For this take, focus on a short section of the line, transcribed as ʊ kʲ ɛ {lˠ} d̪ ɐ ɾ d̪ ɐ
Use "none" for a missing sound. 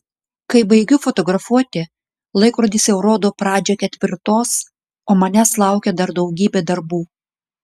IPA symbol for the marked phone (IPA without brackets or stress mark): none